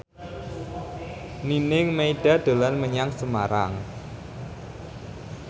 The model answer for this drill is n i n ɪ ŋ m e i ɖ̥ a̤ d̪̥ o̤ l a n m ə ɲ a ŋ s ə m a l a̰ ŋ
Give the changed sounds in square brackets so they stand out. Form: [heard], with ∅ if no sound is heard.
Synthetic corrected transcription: n i n ɪ ŋ m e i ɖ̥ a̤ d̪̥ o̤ l a n m ə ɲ a ŋ s ə m a [ɾ] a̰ ŋ